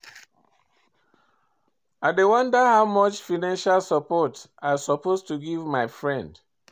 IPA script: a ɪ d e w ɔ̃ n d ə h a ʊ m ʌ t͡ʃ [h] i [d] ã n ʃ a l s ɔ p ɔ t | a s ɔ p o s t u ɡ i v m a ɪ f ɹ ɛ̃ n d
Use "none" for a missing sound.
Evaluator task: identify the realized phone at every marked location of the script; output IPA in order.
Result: f, n

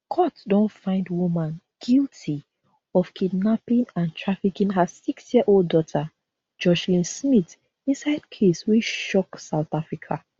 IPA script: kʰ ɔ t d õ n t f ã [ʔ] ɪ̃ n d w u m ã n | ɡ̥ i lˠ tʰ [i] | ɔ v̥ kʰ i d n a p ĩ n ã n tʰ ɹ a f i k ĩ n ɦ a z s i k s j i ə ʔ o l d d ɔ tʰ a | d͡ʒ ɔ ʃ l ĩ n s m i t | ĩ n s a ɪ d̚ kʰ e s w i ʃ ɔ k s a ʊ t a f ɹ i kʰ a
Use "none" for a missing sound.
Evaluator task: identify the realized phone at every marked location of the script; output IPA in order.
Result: none, i

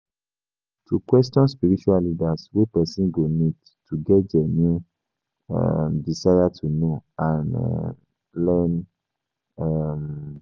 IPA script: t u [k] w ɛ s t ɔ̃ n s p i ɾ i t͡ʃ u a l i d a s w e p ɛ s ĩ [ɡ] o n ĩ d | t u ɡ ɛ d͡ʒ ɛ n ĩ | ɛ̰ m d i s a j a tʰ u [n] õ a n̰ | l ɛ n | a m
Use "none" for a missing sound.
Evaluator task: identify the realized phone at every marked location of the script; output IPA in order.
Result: k, ɡ, n

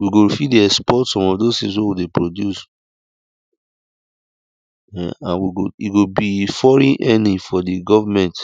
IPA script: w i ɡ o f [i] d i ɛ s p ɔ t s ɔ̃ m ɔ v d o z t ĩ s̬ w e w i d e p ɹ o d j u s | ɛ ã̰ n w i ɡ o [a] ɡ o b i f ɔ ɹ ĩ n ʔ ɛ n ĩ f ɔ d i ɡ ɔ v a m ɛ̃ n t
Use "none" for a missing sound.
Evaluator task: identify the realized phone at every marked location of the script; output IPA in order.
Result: i, i

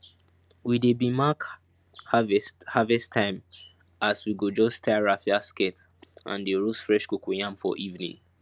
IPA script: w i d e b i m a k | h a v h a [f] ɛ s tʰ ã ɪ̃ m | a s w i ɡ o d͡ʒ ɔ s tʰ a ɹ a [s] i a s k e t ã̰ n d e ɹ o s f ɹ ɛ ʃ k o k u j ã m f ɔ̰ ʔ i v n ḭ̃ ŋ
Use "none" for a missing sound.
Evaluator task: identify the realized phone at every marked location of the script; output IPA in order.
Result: v, f

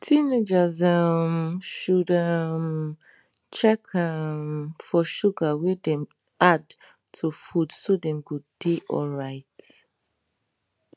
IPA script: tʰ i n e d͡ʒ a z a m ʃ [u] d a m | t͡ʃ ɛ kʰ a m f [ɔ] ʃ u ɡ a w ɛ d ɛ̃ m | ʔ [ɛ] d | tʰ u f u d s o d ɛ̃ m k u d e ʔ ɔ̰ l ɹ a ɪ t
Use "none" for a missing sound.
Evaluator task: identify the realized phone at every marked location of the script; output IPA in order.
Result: u, ɔ, a

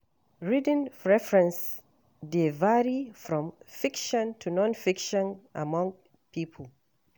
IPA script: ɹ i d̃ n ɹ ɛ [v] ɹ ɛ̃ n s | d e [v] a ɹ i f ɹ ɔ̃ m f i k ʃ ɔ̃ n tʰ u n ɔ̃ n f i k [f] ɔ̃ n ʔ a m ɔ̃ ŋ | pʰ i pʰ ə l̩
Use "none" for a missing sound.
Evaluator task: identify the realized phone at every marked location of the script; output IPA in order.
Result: f, v, ʃ

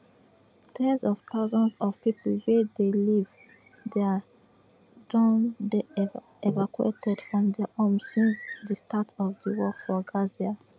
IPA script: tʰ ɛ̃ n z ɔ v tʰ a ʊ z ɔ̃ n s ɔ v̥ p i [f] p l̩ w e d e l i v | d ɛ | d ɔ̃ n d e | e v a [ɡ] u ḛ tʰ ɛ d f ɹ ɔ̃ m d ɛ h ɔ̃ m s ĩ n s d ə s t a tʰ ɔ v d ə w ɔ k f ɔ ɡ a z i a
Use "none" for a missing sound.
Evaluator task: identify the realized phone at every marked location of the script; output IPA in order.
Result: none, k

